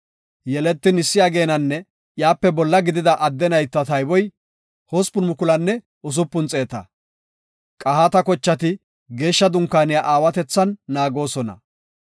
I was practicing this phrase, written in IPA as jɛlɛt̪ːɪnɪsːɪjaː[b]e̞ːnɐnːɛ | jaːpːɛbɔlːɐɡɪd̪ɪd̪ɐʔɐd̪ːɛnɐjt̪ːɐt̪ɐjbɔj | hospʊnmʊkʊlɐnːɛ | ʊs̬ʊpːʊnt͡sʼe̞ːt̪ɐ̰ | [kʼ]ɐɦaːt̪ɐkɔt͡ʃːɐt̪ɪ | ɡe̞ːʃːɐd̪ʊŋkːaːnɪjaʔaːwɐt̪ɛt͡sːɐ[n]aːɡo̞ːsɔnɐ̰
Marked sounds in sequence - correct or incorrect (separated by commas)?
incorrect, correct, incorrect